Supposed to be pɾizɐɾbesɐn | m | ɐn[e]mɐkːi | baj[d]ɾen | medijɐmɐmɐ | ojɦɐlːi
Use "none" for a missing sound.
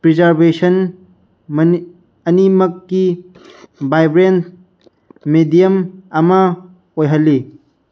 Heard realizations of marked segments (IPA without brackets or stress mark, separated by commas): i, b